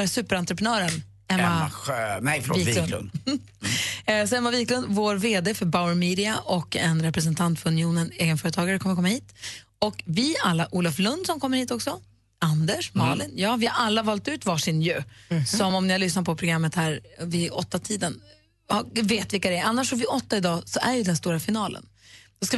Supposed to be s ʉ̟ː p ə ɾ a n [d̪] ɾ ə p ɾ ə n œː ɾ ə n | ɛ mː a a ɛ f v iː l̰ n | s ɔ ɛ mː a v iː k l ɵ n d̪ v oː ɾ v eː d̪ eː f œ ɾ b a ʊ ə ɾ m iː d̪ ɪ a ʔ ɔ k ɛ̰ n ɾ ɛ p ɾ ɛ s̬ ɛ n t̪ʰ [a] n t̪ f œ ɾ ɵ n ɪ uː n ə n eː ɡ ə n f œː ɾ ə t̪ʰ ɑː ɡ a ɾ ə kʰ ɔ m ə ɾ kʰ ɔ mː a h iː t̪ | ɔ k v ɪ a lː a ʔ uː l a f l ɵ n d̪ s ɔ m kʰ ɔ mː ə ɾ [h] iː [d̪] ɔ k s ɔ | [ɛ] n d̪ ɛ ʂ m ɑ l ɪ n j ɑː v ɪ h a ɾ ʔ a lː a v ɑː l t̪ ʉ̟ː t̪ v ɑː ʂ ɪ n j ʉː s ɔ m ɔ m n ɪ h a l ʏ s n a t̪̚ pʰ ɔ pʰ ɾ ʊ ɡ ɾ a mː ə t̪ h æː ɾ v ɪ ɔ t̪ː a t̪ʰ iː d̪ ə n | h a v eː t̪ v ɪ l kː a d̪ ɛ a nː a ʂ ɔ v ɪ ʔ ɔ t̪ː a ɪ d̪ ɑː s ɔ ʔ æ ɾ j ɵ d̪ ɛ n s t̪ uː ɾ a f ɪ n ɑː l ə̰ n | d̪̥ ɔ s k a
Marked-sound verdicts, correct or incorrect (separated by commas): incorrect, correct, correct, incorrect, incorrect